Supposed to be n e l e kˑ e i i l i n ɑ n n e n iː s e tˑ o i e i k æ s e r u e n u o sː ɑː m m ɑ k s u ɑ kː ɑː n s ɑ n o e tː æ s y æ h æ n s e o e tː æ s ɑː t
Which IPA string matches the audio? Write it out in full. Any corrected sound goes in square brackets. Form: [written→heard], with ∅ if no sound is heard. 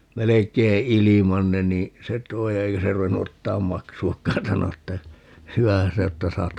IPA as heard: [n→m] e l e kˑ e i i l i [n→m] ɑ n n e n iː s e tˑ o i e i k æ s e r u e [n→nː] u o [sː→tː] ɑː m m ɑ k s u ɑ kː ɑː n s ɑ n o e tː æ [s→h] y æ h æ n s e o e tː æ s ɑː t